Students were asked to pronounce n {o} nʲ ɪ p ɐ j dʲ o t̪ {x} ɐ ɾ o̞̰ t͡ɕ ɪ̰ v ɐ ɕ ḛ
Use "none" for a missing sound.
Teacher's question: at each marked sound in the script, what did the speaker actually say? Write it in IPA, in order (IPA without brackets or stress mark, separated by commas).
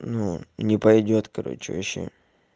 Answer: u, k